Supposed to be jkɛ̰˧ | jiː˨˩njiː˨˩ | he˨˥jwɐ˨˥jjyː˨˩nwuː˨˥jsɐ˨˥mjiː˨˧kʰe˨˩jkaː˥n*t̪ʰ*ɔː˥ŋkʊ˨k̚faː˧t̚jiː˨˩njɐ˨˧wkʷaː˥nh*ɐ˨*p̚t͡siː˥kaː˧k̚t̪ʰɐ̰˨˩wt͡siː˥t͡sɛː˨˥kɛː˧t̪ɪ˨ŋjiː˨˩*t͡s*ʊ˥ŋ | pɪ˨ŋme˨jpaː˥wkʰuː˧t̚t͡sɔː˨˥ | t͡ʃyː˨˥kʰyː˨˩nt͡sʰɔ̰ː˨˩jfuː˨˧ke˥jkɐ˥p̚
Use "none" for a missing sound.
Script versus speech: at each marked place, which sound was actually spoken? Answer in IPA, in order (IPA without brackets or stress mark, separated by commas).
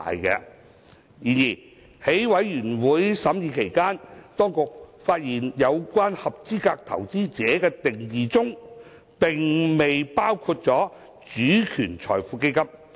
t̪, ɐ˨, t͡s